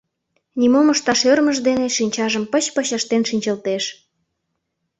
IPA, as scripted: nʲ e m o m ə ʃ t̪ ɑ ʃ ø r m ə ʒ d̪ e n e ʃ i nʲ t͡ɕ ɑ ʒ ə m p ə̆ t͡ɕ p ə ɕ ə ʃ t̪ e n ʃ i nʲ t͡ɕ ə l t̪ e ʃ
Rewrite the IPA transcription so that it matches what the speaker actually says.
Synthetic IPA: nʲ i m o m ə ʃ t̪ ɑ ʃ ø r m ə ʒ d̪ e n e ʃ i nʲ t͡ɕ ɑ ʒ ə m p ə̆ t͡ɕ p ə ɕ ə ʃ t̪ e n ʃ i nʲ t͡ɕ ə l t̪ e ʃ